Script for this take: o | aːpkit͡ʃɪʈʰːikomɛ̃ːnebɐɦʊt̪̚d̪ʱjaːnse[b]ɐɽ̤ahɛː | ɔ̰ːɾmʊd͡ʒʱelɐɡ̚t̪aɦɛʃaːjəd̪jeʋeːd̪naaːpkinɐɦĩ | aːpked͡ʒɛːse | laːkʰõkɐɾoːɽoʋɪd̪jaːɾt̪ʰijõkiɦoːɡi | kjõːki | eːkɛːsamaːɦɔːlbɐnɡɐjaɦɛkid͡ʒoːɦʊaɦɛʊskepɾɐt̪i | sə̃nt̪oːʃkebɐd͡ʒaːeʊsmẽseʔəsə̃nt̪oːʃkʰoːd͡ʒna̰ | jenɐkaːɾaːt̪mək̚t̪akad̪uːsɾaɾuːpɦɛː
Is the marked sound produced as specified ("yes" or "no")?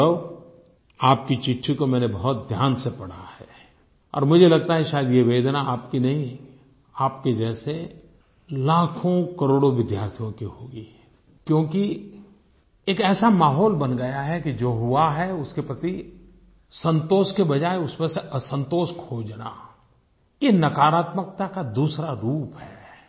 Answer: no